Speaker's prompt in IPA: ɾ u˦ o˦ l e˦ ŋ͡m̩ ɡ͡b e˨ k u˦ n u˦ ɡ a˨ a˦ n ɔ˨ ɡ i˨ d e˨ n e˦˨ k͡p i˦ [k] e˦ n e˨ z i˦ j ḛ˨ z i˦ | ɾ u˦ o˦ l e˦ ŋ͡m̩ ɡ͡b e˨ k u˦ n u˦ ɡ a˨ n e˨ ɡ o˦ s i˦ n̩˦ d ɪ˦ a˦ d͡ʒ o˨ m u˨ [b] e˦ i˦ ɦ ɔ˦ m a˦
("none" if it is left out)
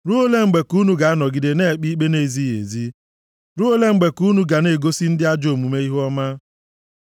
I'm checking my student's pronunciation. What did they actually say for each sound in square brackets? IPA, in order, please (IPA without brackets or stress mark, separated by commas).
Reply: k͡p, m